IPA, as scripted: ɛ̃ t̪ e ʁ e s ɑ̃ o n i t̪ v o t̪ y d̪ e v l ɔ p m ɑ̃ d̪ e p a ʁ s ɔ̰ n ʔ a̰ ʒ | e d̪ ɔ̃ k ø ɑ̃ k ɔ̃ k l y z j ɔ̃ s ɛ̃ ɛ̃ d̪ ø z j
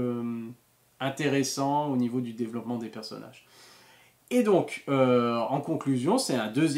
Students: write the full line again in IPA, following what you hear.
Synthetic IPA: ɛ̃ t̪ e ʁ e s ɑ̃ o n i v o d̪ y d̪ e v l ɔ p m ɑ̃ d̪ e p ɛ ʁ s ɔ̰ n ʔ a̰ ʒ | e d̪ ɔ̃ k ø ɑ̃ k ɔ̃ k l y z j ɔ̃ s ɛ ɛ̃ d̪ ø z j